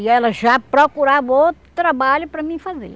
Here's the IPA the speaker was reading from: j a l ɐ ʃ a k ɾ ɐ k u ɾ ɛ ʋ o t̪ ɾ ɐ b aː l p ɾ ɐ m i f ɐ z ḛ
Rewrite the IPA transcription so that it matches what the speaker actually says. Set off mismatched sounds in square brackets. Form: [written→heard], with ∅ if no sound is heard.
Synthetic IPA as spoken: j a l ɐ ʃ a [k→p] ɾ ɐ k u ɾ [ɛ→a] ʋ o t̪ ɾ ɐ b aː l p ɾ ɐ m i f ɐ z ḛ